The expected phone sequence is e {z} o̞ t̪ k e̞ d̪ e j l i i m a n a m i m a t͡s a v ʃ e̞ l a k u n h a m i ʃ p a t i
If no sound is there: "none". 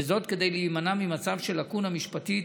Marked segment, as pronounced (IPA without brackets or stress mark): z